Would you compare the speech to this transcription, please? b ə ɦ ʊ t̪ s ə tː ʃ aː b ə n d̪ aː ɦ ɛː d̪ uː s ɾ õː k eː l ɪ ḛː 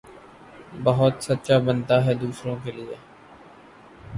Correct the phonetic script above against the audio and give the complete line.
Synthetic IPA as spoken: b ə ɦ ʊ t̪ s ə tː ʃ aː b ə n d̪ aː ɦ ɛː d̪ uː s ɾ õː k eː l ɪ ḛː